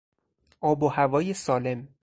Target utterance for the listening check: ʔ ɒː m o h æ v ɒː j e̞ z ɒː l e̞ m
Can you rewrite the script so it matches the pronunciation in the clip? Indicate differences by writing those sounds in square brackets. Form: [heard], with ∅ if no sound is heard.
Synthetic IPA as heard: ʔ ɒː [b] o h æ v ɒː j e̞ [s] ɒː l e̞ m